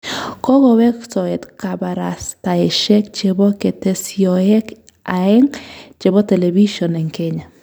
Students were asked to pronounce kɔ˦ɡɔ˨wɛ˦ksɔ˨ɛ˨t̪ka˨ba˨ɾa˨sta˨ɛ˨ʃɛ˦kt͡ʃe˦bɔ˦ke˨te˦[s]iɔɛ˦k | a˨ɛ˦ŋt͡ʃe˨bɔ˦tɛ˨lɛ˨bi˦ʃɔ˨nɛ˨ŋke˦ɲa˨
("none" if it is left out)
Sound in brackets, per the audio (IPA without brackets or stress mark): s